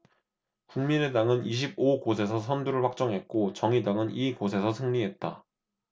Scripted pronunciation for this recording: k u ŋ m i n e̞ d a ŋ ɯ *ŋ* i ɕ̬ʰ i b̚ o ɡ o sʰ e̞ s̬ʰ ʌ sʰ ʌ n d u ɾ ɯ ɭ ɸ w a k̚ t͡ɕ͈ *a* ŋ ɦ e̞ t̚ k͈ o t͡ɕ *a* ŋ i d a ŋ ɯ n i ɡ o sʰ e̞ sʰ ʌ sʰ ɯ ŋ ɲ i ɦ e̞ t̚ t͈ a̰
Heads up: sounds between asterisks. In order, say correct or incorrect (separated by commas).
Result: incorrect, incorrect, incorrect